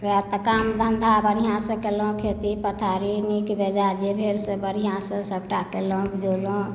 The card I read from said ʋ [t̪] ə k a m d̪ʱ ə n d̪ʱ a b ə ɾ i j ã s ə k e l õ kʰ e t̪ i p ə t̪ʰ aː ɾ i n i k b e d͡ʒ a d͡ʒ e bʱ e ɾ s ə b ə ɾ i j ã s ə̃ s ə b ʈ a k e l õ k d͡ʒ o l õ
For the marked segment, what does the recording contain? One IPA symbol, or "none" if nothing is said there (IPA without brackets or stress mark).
t̪